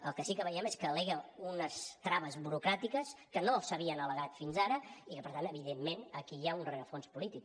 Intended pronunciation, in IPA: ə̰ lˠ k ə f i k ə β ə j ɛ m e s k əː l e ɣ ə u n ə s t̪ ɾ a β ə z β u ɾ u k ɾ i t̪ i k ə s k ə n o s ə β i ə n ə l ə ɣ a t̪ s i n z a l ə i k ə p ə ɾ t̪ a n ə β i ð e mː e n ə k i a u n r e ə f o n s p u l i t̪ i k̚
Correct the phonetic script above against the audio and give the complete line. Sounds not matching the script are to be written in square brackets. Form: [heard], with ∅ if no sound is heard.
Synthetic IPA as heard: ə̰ lˠ k ə [s] i k ə β ə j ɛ m e s k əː l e ɣ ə u n ə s t̪ ɾ a β ə z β u ɾ u k ɾ [a] t̪ i k ə s k ə n o s ə β i ə n ə l ə ɣ a t̪ [f] i n z a [ɾ] ə i k ə p ə ɾ t̪ a n ə β i ð e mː e n ə k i a u n r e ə f o n s p u l i t̪ i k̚